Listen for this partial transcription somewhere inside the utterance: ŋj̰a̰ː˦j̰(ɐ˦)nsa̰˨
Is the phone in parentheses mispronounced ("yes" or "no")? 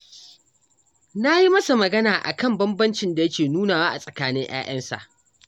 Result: no